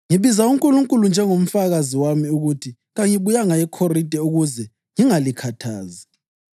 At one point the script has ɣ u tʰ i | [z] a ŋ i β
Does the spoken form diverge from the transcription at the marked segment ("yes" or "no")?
yes